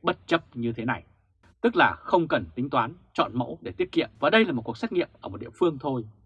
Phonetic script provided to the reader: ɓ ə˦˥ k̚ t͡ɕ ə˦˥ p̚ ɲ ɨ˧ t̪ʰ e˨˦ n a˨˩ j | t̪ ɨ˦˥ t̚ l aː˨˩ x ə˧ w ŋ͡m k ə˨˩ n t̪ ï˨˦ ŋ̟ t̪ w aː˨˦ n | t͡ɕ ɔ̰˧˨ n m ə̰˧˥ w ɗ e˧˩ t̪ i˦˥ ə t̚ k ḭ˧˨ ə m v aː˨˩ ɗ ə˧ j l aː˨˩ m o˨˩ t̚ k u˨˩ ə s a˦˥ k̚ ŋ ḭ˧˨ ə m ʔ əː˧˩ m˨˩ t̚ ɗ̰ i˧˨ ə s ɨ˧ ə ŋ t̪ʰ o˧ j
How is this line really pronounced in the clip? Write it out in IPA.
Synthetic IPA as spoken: ɓ ə˦˥ t̚ t͡ɕ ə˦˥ p̚ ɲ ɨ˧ t̪ʰ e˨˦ n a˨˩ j | t̪ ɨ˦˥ k̚ l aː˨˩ x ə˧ w ŋ͡m k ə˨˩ n t̪ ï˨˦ ŋ̟ t̪ w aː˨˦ n | t͡ɕ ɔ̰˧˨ n m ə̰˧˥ w ɗ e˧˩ t̪ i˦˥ ə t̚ k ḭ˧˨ ə m v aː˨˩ ɗ ə˧ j l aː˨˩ m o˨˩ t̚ k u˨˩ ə s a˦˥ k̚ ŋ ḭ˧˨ ə m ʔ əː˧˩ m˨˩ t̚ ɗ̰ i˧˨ ə f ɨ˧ ə ŋ t̪ʰ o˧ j

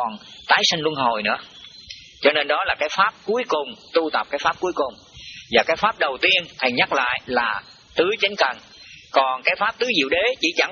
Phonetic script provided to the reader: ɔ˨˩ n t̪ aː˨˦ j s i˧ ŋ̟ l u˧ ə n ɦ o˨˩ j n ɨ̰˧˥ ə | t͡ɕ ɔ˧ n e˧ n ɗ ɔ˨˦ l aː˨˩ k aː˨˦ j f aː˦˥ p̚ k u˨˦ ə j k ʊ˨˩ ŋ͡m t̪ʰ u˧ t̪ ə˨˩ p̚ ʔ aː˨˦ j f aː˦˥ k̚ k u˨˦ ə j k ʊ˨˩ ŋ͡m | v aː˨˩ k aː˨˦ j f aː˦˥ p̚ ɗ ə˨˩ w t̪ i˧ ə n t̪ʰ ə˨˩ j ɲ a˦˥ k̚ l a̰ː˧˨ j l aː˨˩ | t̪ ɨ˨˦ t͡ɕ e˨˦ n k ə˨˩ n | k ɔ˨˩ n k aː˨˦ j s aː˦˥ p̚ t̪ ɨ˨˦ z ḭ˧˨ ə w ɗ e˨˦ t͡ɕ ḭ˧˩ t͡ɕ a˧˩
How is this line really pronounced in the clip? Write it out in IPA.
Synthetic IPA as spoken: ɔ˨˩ n t̪ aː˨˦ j s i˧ ŋ̟ l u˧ ə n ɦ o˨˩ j n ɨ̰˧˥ ə | t͡ɕ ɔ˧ n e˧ n ɗ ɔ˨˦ l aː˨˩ k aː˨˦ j f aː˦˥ p̚ k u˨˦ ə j k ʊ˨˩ ŋ͡m t̪ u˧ t̪ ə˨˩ p̚ k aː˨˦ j f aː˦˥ p̚ k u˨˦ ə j k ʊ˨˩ ŋ͡m | v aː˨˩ k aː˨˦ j f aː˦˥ p̚ ɗ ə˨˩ w t̪ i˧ ə n t̪ʰ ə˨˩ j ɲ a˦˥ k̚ l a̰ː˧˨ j l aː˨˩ | t̪ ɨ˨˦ t͡ɕ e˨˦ n k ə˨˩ n | k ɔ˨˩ n k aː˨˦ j f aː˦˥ p̚ t̪ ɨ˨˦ z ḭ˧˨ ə w ɗ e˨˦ t͡ɕ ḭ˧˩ t͡ɕ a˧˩

